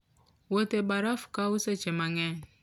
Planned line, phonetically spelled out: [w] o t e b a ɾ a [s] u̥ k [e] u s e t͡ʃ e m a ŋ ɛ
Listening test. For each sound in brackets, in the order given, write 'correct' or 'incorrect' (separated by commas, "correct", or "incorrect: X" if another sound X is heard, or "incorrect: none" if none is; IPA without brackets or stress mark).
correct, incorrect: f, incorrect: a